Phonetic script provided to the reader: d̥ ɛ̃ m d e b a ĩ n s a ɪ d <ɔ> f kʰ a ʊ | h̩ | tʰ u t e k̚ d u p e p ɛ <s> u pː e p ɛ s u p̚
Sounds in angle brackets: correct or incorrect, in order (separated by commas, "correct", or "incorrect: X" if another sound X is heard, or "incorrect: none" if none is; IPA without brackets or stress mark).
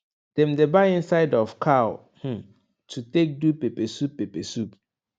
correct, correct